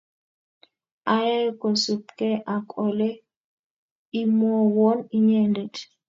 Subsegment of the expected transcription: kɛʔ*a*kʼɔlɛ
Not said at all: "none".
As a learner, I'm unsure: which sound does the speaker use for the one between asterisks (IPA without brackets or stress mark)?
a